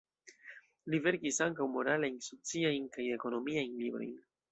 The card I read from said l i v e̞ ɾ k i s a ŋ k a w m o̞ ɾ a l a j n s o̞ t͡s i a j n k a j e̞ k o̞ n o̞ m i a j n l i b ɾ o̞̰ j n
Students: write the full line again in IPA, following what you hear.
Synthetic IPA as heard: l i v e̞ ɾ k i s a ŋ k a w m o̞ ɾ a l a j n s o̞ t͡s i a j n k a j e̞ k o̞ n o̞ m i a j n l i b ɾ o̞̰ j n